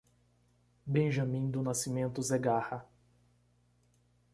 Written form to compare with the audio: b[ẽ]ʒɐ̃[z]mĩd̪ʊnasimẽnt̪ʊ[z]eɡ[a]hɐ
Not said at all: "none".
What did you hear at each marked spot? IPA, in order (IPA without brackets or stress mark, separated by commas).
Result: ẽ, none, z, a